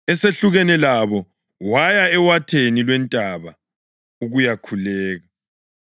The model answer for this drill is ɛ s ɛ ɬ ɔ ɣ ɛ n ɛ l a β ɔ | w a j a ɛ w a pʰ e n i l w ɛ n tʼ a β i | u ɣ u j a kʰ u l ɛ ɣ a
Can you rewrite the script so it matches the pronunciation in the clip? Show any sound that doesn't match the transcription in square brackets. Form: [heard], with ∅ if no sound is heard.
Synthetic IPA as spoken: ɛ s [e] ɬ [u] ɣ ɛ n ɛ l a β ɔ | w a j a ɛ w a [tʰ] e n i l w ɛ n tʼ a β [a] | u ɣ u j a kʰ u l [ɛː] ɣ a